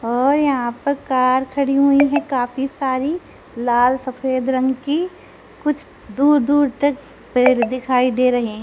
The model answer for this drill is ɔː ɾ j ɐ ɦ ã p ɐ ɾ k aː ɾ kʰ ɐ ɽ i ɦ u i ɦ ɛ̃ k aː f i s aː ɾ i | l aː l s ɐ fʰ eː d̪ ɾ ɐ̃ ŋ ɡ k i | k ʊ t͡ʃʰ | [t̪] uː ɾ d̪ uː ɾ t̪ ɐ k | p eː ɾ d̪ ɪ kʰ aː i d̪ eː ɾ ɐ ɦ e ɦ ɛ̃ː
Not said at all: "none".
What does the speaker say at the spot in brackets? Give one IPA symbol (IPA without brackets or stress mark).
d̪